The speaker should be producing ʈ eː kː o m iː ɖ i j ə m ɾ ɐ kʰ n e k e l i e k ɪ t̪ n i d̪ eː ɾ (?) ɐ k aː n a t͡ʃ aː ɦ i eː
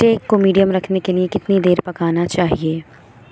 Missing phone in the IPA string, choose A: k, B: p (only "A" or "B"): B